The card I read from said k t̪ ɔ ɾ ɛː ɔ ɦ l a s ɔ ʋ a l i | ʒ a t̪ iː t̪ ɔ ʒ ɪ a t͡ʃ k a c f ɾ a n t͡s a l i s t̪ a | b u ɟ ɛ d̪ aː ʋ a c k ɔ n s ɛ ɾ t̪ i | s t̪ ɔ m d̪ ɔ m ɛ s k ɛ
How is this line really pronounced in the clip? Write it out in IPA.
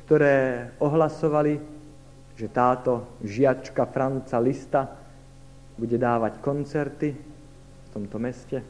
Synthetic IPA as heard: k t̪ ɔ ɾ ɛː ɔ ɦ l a s ɔ ʋ a l i | ʒ ɛ t̪ aː t̪ ɔ ʒ ɪ a t͡ʃ k a f ɾ a n t͡s a l i s t̪ a | b u ɟ ɛ d̪ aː ʋ a c k ɔ n t͡s ɛ ɾ t̪ i | f t̪ ɔ m t̪ ɔ m ɛ s c ɛ